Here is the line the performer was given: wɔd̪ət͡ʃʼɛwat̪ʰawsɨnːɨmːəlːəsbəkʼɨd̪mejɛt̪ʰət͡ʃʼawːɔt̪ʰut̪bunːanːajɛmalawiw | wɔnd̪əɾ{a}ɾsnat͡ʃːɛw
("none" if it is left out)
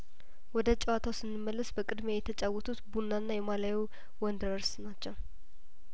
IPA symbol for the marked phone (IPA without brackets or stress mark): ə